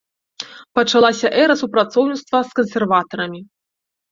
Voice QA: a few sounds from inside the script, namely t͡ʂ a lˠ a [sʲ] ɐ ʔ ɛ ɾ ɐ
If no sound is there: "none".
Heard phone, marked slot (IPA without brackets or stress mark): sʲ